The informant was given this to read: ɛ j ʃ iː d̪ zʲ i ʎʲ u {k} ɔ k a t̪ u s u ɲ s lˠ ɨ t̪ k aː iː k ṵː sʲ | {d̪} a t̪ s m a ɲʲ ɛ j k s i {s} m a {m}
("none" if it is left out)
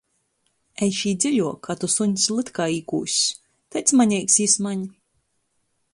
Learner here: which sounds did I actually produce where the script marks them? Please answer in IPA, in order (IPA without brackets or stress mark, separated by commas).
none, t̪, s, ɲ